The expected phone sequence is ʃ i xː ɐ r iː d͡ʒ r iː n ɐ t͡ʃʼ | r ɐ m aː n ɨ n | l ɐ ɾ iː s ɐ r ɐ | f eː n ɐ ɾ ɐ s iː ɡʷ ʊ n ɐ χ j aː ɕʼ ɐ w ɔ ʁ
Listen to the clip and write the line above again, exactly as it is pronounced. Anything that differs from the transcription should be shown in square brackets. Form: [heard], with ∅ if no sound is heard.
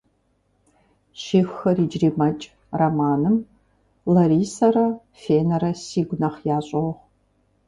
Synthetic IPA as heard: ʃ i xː ɐ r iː d͡ʒ r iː [m] ɐ t͡ʃʼ | r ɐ m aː n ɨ [m] | l ɐ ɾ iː s ɐ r ɐ | f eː n ɐ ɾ ɐ s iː ɡʷ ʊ n ɐ χ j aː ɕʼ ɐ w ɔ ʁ